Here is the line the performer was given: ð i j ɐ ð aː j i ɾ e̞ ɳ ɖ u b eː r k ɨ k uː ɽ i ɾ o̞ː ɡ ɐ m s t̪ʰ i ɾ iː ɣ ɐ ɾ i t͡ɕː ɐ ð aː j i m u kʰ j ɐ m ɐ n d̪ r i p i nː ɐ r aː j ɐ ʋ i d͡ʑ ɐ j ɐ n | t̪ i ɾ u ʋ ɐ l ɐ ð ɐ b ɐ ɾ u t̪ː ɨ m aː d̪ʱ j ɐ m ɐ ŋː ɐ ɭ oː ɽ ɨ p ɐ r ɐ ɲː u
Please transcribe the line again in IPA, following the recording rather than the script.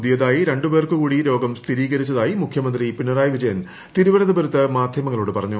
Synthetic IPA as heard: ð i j ɐ ð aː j i ɾ e̞ ɳ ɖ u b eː r k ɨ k uː ɽ i ɾ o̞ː ɡ ɐ m s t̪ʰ i ɾ iː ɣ ɐ ɾ i t͡ɕː ɐ ð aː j i m u kʰ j ɐ m ɐ n d̪ r i p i nː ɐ r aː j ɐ ʋ i d͡ʑ ɐ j ɐ n | t̪ i ɾ u ʋ ɐ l ɐ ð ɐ b ɐ ɾ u t̪ː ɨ m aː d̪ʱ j ɐ m ɐ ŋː ɐ ɭ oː ɽ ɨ p ɐ r ɐ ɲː u